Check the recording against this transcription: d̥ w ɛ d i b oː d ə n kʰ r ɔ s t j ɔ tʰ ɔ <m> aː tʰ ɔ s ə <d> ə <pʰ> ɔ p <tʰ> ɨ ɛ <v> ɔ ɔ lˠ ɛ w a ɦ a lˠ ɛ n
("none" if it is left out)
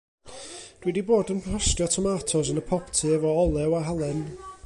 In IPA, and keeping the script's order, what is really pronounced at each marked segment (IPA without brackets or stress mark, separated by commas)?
m, n, pʰ, tʰ, v